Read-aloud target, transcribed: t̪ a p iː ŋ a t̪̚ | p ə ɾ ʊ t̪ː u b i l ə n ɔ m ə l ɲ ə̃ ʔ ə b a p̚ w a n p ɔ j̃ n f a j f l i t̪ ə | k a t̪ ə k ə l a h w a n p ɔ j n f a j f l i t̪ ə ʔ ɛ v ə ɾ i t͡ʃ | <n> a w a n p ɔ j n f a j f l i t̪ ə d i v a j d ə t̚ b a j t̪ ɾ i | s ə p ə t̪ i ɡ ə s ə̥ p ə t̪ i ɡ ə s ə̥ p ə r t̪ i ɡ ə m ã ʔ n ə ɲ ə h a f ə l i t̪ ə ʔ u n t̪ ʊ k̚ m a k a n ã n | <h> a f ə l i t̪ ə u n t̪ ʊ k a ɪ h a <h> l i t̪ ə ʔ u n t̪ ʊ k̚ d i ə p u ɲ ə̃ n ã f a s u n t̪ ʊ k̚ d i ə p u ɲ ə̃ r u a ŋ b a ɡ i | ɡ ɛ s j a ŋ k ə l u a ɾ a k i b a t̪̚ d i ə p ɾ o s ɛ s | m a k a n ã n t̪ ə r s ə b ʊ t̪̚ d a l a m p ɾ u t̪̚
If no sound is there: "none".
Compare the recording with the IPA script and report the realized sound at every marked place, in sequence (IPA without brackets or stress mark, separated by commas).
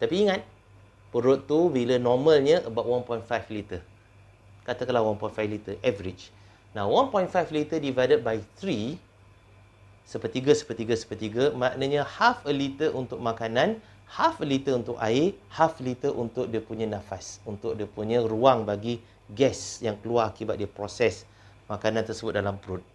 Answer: n, h, f